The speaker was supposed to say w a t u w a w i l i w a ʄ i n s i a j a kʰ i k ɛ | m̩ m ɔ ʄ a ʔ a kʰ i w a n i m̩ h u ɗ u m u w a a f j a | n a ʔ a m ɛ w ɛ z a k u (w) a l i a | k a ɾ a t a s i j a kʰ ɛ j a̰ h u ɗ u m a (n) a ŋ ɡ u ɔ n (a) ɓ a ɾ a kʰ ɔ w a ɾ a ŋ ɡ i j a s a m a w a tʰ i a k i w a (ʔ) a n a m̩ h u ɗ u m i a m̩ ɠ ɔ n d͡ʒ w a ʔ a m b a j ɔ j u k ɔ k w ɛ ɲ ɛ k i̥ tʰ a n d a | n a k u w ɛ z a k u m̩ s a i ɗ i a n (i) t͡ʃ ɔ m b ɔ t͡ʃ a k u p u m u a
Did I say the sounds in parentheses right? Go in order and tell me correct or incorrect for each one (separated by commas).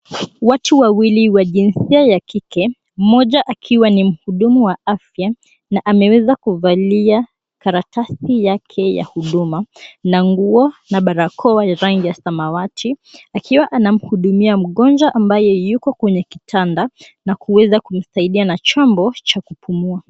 incorrect, correct, correct, correct, incorrect